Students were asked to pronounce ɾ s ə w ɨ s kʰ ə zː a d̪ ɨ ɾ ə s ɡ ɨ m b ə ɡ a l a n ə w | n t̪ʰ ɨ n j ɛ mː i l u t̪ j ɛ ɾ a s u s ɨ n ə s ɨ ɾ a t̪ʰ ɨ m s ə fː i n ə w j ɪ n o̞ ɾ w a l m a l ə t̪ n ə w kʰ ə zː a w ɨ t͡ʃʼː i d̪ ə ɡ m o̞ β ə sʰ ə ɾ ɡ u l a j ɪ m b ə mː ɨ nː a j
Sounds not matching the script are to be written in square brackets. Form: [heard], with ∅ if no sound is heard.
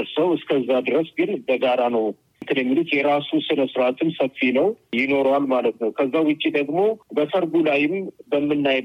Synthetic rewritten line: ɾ s ə w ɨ s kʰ ə zː a d̪ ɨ ɾ ə s ɡ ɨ [n] b ə ɡ a [ɾ] a n ə w | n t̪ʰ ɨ n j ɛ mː i l u t̪ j ɛ ɾ a s u s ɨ n ə s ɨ ɾ a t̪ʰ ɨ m s ə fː i n ə w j ɪ n o̞ ɾ w a l m a l ə t̪ n ə w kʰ ə zː a w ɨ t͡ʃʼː i d̪ ə ɡ m o̞ [b] ə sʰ ə ɾ ɡ u l a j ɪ m b ə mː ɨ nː a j